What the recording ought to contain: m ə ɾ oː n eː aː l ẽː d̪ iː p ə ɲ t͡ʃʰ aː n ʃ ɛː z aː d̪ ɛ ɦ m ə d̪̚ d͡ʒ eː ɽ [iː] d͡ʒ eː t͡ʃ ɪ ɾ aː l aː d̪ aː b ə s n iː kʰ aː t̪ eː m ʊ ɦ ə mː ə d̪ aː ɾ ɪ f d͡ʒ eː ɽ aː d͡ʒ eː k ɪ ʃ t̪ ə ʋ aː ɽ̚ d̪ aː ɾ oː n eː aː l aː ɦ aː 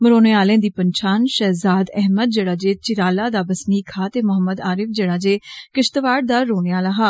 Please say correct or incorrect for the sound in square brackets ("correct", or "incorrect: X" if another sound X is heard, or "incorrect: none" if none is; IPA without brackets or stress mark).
incorrect: aː